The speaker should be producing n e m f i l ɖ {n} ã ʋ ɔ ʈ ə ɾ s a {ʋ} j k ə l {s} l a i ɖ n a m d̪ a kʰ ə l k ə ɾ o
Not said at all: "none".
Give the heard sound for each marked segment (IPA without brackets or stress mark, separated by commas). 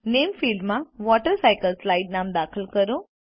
m, none, s